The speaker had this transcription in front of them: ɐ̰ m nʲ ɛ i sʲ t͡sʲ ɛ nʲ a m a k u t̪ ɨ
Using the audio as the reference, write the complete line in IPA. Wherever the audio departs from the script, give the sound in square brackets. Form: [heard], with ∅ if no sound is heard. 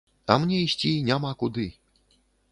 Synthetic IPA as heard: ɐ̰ m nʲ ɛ i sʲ t͡sʲ [i] nʲ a m a k u [d̪] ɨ